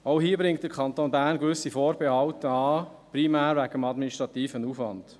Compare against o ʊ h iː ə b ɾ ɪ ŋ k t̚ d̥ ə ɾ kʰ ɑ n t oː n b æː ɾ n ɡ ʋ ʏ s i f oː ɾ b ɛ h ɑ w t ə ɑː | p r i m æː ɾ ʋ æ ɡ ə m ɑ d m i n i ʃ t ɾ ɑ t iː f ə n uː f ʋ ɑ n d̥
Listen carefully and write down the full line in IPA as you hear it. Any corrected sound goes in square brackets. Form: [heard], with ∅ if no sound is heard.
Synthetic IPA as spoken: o ʊ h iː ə b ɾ ɪ ŋ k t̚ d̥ ə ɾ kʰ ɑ n t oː n b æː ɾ n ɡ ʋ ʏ s i f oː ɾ b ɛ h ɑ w t ə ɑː | p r i m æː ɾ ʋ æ ɡ ə m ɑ d m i n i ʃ t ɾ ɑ t iː f ə n uː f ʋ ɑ n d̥